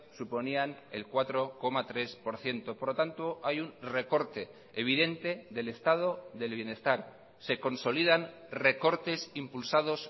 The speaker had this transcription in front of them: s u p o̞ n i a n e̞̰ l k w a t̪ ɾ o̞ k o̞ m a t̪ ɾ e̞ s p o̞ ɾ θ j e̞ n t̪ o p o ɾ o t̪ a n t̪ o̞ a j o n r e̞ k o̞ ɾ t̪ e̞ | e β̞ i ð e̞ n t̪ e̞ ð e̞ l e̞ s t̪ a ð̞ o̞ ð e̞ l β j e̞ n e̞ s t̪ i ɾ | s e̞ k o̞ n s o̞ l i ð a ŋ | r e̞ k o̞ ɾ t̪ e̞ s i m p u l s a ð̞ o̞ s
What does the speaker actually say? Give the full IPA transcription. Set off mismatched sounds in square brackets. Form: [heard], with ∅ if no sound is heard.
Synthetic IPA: s u p o̞ n i a n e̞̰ l k w a t̪ ɾ o̞ k o̞ m a t̪ ɾ e̞ s p o̞ ɾ θ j e̞ n t̪ o p o ɾ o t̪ a n t̪ o̞ a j [u] n r e̞ k o̞ ɾ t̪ e̞ | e β̞ i ð e̞ n t̪ e̞ ð e̞ l e̞ s t̪ a ð̞ o̞ ð e̞ l β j e̞ n e̞ s t̪ [a] ɾ | s e̞ k o̞ n s o̞ l i ð a [n] | r e̞ k o̞ ɾ t̪ e̞ s i m p u l s a ð̞ o̞ s